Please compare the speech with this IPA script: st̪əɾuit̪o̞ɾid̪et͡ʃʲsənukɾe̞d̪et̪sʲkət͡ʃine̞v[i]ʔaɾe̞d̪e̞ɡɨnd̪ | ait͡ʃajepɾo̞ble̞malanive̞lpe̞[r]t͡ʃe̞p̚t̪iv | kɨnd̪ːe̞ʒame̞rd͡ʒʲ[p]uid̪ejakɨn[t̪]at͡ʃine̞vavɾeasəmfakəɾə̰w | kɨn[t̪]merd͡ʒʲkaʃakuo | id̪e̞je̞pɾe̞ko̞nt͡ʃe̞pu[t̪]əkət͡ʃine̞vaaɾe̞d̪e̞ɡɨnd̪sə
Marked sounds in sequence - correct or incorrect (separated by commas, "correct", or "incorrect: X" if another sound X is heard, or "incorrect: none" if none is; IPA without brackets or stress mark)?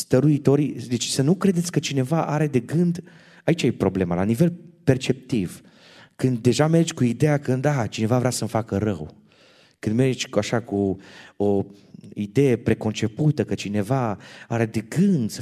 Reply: incorrect: a, correct, incorrect: k, incorrect: d̪, incorrect: d̪, correct